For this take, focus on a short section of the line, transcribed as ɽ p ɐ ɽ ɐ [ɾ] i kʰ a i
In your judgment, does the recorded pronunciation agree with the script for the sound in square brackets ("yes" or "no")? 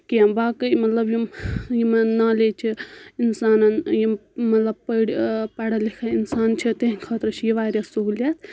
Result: no